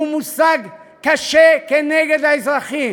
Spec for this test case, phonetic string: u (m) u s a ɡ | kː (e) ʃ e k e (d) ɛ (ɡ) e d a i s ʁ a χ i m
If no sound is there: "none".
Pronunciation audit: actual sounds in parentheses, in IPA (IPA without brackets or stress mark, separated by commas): m, a, n, ɡ